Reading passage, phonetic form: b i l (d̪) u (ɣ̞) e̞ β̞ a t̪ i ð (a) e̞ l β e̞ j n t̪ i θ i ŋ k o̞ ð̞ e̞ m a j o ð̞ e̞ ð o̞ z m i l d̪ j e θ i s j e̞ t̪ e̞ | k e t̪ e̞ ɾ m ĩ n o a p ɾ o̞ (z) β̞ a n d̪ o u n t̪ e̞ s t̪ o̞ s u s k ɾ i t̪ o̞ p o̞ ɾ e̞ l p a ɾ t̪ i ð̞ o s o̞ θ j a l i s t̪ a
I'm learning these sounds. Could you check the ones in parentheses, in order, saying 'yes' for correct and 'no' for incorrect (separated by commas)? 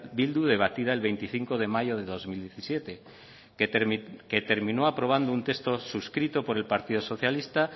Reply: yes, no, yes, no